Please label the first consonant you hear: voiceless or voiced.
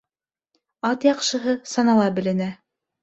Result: voiceless